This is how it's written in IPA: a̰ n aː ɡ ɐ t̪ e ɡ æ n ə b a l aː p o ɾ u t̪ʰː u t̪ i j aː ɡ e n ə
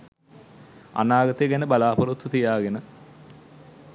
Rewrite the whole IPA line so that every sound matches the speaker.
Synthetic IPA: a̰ n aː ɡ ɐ t̪ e ɡ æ n ə b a l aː p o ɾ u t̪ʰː u t̪ i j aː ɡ e n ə